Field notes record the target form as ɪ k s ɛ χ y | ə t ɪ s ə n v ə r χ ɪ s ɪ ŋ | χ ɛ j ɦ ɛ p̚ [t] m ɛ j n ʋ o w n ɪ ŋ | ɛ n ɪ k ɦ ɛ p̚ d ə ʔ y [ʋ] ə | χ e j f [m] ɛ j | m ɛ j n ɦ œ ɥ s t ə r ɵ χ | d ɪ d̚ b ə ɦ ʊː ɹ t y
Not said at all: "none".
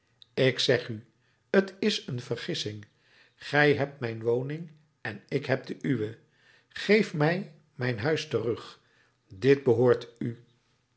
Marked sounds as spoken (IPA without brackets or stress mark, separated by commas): t, ʋ, m